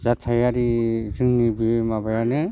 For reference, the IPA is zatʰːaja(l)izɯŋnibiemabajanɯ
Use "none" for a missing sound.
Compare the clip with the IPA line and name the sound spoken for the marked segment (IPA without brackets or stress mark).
ɾ